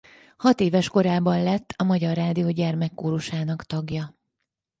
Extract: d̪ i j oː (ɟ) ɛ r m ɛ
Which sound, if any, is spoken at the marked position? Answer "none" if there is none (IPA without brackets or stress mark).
ɟ